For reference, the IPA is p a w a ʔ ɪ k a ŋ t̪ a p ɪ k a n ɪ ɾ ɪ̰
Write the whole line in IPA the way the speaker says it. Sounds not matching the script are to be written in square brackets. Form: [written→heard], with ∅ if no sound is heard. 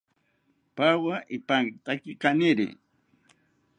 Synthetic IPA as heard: p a w a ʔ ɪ [k→p] a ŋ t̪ a [p→k] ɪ k a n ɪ ɾ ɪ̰